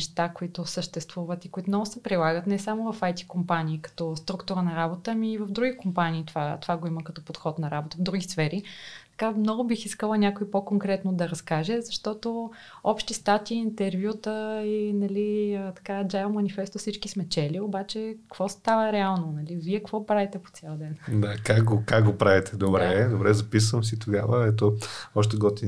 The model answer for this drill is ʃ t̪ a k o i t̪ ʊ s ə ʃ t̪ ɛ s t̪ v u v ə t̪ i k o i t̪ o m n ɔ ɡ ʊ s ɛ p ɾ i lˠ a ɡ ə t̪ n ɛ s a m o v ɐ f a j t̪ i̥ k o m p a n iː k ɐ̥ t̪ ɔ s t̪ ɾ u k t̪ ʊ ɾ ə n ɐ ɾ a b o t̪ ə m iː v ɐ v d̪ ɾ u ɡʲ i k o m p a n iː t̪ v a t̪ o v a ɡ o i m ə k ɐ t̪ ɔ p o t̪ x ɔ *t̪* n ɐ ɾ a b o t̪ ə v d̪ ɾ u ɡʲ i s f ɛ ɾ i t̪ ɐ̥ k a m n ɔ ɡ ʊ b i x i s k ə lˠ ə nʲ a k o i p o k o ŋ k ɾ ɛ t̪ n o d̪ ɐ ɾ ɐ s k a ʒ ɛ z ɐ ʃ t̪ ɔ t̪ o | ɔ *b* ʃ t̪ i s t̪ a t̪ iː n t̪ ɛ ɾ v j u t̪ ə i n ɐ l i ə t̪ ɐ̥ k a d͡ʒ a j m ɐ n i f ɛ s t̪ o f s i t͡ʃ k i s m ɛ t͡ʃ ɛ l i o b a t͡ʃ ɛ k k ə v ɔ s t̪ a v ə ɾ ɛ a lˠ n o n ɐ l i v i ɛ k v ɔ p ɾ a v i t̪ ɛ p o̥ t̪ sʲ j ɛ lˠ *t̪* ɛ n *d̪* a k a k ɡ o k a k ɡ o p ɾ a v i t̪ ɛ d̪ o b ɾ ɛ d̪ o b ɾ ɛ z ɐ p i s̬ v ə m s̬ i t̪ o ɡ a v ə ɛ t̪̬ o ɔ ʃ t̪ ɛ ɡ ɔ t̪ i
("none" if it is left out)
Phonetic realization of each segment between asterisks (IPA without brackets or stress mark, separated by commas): t̪, p, d̪, d̪